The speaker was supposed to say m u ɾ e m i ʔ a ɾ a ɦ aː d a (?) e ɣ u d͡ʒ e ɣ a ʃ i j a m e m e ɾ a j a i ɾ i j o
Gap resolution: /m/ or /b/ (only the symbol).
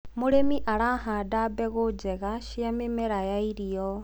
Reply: b